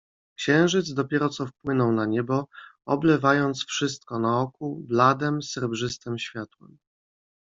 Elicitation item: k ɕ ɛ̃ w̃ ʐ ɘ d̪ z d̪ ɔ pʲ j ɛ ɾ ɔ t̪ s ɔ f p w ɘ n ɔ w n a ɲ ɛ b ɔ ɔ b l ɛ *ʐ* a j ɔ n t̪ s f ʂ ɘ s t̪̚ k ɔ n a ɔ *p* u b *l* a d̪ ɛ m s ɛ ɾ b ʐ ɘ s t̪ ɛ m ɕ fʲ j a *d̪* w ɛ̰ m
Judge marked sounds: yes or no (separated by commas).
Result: no, no, yes, no